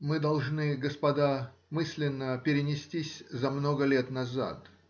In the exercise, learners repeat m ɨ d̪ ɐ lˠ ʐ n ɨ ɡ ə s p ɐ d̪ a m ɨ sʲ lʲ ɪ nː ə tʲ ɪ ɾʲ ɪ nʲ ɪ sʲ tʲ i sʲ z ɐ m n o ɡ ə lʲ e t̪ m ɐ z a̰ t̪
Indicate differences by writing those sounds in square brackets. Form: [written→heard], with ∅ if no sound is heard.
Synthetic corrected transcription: m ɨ d̪ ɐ lˠ ʐ n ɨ ɡ ə s p ɐ d̪ a m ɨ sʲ lʲ ɪ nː ə [tʲ→pʲ] ɪ ɾʲ ɪ nʲ ɪ sʲ tʲ i sʲ z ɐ m n o ɡ ə lʲ e t̪ [m→n] ɐ z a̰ t̪

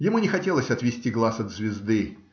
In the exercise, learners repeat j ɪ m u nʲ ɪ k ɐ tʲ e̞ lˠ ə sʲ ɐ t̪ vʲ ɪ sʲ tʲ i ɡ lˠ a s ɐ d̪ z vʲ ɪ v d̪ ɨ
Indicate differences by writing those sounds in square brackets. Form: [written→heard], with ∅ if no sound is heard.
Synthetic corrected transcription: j ɪ m u nʲ ɪ [k→x] ɐ tʲ e̞ lˠ ə sʲ ɐ t̪ vʲ ɪ sʲ tʲ i ɡ lˠ a s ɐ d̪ z vʲ ɪ [v→z] d̪ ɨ

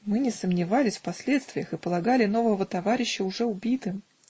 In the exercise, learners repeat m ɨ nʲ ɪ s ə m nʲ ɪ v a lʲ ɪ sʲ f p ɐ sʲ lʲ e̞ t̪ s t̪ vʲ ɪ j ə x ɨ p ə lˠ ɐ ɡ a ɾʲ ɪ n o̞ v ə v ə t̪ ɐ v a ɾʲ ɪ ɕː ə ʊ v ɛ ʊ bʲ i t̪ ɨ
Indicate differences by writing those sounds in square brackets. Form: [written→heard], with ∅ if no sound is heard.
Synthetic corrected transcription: m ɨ nʲ ɪ s ə m nʲ ɪ v a lʲ ɪ sʲ f p ɐ sʲ lʲ e̞ t̪ s t̪ vʲ ɪ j ə x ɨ p ə lˠ ɐ ɡ a [ɾʲ→lʲ] ɪ n o̞ v ə v ə t̪ ɐ v a ɾʲ ɪ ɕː ə ʊ [v→ʐ] ɛ ʊ bʲ i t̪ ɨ

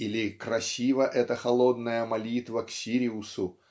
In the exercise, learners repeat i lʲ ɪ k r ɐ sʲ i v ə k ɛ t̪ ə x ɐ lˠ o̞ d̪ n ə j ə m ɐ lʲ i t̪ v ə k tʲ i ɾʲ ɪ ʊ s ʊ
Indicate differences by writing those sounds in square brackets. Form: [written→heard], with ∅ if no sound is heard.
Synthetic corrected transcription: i lʲ ɪ k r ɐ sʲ i v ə [k→ʔ] ɛ t̪ ə x ɐ lˠ o̞ d̪ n ə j ə m ɐ lʲ i t̪ v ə k [tʲ→sʲ] i ɾʲ ɪ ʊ s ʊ

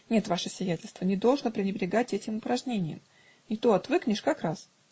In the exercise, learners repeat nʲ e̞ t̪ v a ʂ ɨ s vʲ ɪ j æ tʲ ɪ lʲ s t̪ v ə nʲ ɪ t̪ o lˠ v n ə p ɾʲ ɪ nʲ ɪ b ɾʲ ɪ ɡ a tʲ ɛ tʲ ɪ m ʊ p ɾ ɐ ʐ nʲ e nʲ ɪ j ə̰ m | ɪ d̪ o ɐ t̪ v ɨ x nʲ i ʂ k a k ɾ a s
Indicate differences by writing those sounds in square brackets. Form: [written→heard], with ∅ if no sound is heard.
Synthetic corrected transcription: nʲ e̞ t̪ v a ʂ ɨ s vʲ ɪ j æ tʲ ɪ lʲ s t̪ v ə nʲ ɪ [t̪→d̪] o lˠ [v→ʐ] n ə p ɾʲ ɪ nʲ ɪ b ɾʲ ɪ ɡ a tʲ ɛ tʲ ɪ m ʊ p ɾ ɐ ʐ nʲ e nʲ ɪ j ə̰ m | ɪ [d̪→t̪] o ɐ t̪ v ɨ [x→k] nʲ [i→ɪ] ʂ k a k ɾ a s

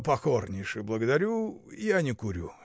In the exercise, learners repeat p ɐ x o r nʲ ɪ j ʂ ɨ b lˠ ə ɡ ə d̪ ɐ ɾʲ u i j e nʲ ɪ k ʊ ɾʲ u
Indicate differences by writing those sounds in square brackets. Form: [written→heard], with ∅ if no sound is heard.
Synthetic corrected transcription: p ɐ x o r nʲ ɪ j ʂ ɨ b lˠ ə ɡ ə d̪ ɐ ɾʲ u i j [e→a] nʲ ɪ k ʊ ɾʲ u

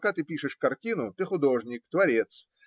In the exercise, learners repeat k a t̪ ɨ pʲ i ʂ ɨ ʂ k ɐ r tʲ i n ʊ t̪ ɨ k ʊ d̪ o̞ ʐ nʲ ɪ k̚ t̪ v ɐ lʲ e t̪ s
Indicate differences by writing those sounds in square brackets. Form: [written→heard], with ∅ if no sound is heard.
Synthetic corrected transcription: k a t̪ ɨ pʲ i ʂ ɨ ʂ k ɐ r tʲ i n ʊ t̪ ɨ [k→x] ʊ d̪ o̞ ʐ nʲ ɪ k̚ t̪ v ɐ [lʲ→ɾʲ] e t̪ s

